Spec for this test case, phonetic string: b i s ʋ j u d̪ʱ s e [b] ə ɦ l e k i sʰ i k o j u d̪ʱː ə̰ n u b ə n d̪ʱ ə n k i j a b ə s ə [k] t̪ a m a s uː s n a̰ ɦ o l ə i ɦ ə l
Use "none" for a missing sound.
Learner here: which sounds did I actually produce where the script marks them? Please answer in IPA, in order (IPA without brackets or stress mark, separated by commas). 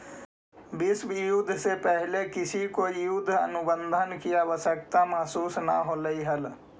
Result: p, k